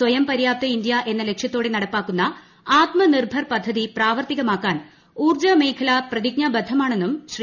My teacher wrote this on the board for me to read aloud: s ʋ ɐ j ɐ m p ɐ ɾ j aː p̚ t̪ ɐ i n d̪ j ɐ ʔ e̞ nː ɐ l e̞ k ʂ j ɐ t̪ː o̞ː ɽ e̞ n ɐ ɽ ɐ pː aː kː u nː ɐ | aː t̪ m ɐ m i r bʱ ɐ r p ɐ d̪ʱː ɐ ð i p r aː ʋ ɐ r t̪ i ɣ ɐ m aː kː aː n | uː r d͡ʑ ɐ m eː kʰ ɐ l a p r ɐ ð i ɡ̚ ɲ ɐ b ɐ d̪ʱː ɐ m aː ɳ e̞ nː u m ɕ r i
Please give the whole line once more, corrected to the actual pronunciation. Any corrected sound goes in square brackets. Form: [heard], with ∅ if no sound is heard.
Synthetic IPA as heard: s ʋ ɐ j ɐ m p ɐ ɾ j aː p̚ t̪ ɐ i n d̪ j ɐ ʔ e̞ nː ɐ l e̞ k ʂ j ɐ t̪ː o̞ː ɽ e̞ n ɐ ɽ ɐ pː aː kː u nː ɐ | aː t̪ m ɐ [n] i r bʱ ɐ r p ɐ d̪ʱː ɐ ð i p r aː ʋ ɐ r t̪ i ɣ ɐ m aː kː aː n | uː r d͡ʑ ɐ m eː kʰ ɐ l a p r ɐ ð i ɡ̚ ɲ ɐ b ɐ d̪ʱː ɐ m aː ɳ e̞ nː u m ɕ r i

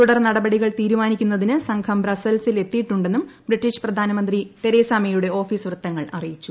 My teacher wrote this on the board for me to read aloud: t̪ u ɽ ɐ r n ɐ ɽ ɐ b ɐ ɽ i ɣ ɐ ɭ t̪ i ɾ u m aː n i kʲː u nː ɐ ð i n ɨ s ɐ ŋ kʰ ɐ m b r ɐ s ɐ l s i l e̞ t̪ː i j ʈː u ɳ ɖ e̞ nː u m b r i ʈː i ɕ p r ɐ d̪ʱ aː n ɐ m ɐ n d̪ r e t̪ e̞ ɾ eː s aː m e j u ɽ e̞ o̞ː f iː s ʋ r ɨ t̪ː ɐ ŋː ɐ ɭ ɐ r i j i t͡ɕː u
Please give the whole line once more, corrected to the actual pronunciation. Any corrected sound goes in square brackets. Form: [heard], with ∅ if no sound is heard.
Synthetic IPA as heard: t̪ u ɽ ɐ r n ɐ ɽ ɐ b ɐ ɽ i ɣ ɐ ɭ t̪ [iː] ɾ u m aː n i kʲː u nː ɐ ð i n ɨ s ɐ ŋ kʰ ɐ m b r ɐ s ɐ l s i l e̞ t̪ː i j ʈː u ɳ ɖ e̞ nː u m b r i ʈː i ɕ p r ɐ d̪ʱ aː n ɐ m ɐ n d̪ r [i] t̪ e̞ ɾ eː s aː m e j u ɽ e̞ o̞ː f iː s ʋ r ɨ t̪ː ɐ ŋː ɐ ɭ ɐ r i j i t͡ɕː u

